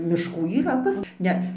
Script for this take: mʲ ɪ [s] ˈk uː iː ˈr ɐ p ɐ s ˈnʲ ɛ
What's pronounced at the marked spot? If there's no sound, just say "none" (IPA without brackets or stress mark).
ʃ